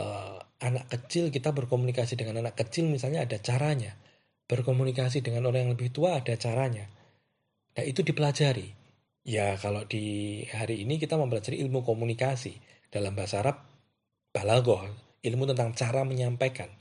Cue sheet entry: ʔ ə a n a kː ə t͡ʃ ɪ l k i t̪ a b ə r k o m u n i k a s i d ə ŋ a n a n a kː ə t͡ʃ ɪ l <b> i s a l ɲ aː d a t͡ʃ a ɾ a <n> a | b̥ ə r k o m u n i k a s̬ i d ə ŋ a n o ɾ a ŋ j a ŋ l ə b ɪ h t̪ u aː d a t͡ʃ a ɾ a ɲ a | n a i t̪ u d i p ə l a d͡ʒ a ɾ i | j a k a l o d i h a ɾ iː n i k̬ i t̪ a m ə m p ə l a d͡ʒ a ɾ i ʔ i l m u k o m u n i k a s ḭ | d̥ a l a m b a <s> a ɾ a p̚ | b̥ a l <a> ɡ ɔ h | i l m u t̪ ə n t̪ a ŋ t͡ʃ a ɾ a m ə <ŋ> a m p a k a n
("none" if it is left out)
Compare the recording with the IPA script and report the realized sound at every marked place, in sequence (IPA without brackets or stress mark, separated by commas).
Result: m, ɲ, s, a, ɲ